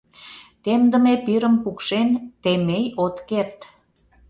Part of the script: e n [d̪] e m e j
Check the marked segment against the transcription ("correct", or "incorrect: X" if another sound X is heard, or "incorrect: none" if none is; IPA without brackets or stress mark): incorrect: t̪